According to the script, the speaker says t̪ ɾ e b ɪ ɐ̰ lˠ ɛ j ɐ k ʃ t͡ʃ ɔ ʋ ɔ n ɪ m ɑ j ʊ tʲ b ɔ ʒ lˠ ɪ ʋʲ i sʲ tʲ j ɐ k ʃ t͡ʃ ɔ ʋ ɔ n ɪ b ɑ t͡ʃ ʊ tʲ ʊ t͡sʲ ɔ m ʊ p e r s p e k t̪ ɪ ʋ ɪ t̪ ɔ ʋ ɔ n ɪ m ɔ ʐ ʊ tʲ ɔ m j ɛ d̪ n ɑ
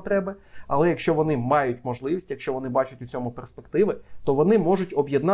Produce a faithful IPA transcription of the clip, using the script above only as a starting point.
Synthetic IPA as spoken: t̪ ɾ ɛ b ɪ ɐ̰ lˠ ɛ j ɐ k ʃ t͡ʃ ɔ ʋ ɔ n ɪ m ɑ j ʊ tʲ m ɔ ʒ lˠ ɪ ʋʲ i sʲ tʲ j ɐ k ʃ t͡ʃ ɔ ʋ ɔ n ɪ b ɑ t͡ʃ ʊ tʲ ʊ t͡sʲ ɔ m ʊ p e r s p e k t̪ ɪ ʋ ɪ t̪ ɔ ʋ ɔ n ɪ m ɔ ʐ ʊ tʲ ɔ b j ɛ d̪ n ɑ